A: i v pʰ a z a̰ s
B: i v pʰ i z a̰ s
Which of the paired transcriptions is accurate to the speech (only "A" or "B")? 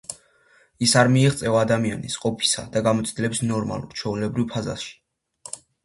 A